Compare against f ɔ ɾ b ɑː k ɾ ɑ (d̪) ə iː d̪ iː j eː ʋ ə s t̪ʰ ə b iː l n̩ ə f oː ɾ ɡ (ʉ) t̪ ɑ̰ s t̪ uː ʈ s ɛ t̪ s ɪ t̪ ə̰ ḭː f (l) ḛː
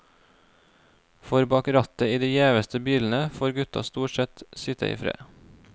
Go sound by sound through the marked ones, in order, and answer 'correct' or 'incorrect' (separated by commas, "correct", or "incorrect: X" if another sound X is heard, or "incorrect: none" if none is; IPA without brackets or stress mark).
incorrect: t̪, correct, incorrect: ɾ